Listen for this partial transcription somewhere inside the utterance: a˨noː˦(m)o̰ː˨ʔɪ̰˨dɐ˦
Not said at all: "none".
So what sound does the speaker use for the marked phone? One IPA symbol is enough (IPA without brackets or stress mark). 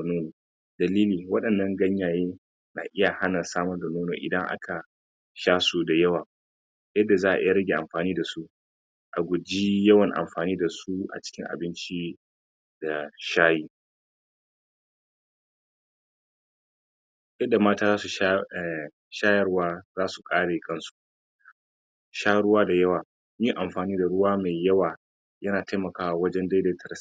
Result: n